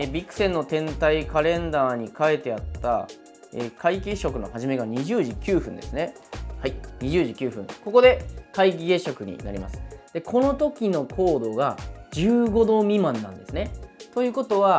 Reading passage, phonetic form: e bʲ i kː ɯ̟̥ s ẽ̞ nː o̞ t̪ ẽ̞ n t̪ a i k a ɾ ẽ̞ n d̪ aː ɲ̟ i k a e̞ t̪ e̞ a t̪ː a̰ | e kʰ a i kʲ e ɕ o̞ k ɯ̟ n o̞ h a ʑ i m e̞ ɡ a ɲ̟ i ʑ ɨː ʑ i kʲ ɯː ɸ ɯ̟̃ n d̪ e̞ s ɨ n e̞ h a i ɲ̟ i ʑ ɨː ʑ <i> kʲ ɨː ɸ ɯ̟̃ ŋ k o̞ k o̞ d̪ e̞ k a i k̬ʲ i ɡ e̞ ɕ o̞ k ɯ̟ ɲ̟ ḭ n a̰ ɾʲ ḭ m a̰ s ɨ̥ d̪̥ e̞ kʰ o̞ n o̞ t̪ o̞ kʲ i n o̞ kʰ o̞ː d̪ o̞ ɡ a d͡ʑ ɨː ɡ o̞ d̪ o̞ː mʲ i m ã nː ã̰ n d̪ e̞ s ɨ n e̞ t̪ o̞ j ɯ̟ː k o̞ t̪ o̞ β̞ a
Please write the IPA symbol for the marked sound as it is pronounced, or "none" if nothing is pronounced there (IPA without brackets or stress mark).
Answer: i